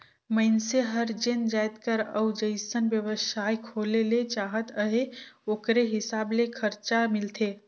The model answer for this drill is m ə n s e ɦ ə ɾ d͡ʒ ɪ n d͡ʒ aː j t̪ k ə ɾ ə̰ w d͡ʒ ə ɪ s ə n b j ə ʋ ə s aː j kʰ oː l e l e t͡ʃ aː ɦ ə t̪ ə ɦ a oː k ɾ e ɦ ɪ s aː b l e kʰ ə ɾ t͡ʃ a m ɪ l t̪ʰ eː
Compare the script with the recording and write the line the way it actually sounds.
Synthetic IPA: m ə n s e ɦ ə ɾ d͡ʒ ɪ n d͡ʒ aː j t̪ k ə ɾ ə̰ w d͡ʒ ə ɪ s ə n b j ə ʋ ə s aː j kʰ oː l e l e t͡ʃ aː ɦ ə t̪ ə ɦ e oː k ɾ e ɦ ɪ s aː b l e kʰ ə ɾ t͡ʃ a m ɪ l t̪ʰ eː

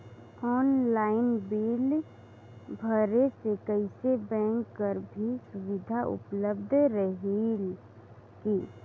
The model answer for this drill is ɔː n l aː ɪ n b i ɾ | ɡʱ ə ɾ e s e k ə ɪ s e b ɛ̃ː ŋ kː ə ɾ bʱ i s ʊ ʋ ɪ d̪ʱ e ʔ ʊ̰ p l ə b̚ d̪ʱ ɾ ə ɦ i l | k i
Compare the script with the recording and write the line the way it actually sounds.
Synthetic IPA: ɔː n l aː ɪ n b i l | bʱ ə ɾ e s e k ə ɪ s e b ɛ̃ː ŋ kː ə ɾ bʱ i s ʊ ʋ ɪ d̪ʱ a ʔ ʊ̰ p l ə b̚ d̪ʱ ɾ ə ɦ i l | k i

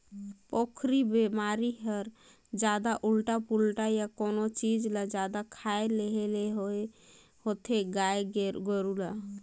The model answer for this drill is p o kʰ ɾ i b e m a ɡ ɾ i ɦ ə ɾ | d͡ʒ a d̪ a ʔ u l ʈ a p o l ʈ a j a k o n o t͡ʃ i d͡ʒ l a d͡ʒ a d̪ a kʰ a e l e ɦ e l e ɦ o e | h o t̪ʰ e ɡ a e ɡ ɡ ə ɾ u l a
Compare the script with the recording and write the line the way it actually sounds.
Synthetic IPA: p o kʰ ɾ i b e m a ɾ i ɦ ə ɾ | d͡ʒ a d̪ a ʔ u l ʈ a p u l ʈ a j a k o n o t͡ʃ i d͡ʒ l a d͡ʒ a d̪ a kʰ a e l e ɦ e l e ɦ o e | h o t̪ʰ e ɡ a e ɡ ɡ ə ɾ u l a

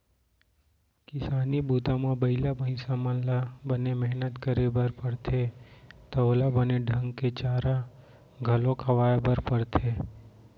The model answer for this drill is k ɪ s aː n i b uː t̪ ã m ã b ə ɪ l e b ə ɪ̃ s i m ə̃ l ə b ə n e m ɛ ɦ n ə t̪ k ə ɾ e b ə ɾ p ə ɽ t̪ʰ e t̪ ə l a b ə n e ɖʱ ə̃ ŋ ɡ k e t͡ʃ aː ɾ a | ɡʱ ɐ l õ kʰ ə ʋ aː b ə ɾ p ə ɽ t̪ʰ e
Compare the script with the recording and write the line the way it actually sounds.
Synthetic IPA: k ɪ s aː n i b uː t̪ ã m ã b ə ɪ l a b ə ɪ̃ s a m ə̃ l a b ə n e m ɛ ɦ n ə t̪ k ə ɾ e b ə ɾ p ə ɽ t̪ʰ e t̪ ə l a b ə n e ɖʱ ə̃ ŋ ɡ k e t͡ʃ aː ɾ a | ɡʱ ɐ l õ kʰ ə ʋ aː b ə ɾ p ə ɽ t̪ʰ e

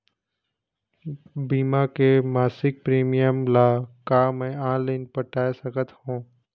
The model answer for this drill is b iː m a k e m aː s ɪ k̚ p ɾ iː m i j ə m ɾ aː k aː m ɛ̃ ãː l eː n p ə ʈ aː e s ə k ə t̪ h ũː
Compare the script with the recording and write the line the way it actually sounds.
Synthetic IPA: b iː m a k e m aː s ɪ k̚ p ɾ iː m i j ə m l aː k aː m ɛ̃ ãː l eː n p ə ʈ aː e s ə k ə t̪ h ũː

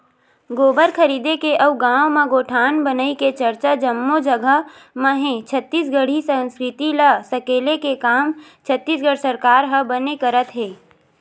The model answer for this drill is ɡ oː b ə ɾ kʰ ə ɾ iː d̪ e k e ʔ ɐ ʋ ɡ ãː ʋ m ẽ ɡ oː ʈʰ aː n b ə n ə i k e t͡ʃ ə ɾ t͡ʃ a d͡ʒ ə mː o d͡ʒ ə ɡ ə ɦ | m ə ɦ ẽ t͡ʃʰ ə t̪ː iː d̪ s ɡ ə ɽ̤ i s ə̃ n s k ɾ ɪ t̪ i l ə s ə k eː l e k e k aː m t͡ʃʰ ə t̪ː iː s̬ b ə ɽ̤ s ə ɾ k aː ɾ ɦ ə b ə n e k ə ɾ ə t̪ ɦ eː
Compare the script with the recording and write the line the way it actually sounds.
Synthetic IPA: ɡ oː b ə ɾ kʰ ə ɾ iː d̪ e k e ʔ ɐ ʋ ɡ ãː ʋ m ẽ ɡ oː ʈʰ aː n b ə n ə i k e t͡ʃ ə ɾ t͡ʃ a d͡ʒ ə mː o d͡ʒ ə ɡ ə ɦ | m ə ɦ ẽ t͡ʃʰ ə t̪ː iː s ɡ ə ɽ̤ i s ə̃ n s k ɾ ɪ t̪ i l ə s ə k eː l e k e k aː m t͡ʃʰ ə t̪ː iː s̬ ɡ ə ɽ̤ s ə ɾ k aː ɾ ɦ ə b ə n e k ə ɾ ə t̪ ɦ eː

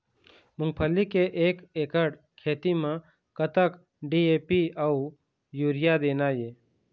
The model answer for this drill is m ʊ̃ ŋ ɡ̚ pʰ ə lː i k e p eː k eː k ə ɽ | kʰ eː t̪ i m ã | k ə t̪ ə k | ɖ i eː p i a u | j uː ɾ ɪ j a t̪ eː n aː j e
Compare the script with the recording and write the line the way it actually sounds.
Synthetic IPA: m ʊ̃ ŋ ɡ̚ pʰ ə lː i k e ʔ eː k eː k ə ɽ | kʰ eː t̪ i m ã | k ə t̪ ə k | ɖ i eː p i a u | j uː ɾ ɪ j a d̪ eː n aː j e

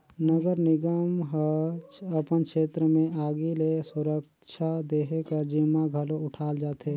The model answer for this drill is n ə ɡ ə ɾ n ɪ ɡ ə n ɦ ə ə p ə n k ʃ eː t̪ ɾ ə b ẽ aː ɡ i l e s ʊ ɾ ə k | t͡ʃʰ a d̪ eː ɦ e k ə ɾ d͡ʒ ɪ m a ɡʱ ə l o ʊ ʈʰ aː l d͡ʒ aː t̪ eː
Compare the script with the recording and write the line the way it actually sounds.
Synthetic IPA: n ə ɡ ə ɾ n ɪ ɡ ə m ɦ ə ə p ə n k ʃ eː t̪ ɾ ə m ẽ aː ɡ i l e s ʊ ɾ ə k | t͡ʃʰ a d̪ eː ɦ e k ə ɾ d͡ʒ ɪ m a ɡʱ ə l o ʊ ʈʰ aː l d͡ʒ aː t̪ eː

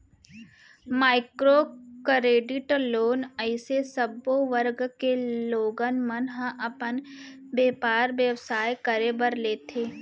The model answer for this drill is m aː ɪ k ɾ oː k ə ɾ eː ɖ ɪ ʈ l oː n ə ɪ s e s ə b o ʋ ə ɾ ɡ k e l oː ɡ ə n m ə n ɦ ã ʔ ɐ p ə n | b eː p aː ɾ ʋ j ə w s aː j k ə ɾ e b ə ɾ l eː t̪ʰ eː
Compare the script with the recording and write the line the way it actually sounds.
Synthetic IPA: m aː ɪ k ɾ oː k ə ɾ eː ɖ ɪ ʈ l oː n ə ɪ s e s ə b o ʋ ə ɾ ɡ k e l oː ɡ ə n m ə n ɦ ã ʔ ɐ p ə n | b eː p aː ɾ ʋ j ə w s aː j k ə ɾ e b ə ɾ l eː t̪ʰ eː

